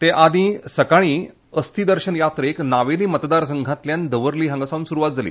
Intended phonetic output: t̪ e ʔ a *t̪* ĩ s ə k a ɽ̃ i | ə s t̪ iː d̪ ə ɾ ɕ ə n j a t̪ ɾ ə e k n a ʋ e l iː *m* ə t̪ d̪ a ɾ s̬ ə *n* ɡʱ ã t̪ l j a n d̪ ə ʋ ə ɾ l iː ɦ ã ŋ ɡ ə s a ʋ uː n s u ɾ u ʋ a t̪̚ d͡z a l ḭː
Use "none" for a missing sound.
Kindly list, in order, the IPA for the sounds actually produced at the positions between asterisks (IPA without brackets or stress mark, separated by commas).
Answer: d̪, m, ŋ